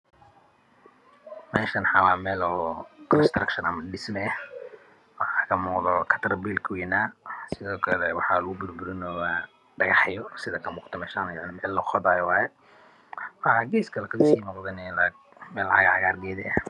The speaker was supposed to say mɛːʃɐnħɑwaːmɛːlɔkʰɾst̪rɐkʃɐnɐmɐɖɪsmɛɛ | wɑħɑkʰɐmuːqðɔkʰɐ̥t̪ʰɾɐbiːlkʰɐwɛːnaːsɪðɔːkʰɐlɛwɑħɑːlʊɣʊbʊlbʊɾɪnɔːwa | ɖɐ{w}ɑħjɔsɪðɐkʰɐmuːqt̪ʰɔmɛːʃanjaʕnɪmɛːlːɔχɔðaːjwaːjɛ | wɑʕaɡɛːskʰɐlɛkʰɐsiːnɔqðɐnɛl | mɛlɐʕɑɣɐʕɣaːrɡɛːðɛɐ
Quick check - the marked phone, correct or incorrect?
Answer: incorrect